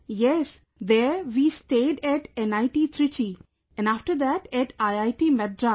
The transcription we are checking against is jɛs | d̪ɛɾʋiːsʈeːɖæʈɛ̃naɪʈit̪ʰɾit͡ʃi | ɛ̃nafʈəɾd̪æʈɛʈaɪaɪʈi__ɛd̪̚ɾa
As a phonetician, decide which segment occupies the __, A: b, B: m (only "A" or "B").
B